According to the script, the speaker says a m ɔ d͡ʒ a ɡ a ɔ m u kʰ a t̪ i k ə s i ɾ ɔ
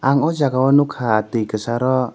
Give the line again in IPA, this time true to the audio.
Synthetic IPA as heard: a ŋ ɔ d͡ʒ a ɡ a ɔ n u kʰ a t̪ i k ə s a ɾ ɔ